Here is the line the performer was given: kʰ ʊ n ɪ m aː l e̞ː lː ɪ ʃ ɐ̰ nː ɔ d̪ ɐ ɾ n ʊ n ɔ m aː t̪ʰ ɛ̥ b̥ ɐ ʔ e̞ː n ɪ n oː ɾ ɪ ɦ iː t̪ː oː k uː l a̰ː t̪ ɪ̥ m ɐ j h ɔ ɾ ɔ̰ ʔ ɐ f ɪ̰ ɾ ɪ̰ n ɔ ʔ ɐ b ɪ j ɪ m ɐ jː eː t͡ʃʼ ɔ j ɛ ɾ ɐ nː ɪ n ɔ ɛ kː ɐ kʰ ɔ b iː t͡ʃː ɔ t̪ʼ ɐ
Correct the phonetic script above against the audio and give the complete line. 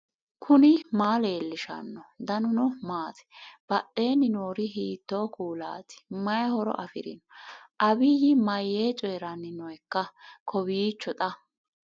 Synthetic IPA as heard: kʰ ʊ n ɪ m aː l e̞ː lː ɪ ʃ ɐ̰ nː ɔ d̪ ɐ n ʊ n ɔ m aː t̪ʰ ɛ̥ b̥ ɐ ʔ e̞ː n ɪ n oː ɾ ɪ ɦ iː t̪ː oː k uː l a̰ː t̪ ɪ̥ m ɐ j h ɔ ɾ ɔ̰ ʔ ɐ f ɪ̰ ɾ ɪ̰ n ɔ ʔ ɐ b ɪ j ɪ m ɐ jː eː t͡ʃʼ ɔ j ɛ ɾ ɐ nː ɪ n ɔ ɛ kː ɐ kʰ ɔ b iː t͡ʃː ɔ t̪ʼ ɐ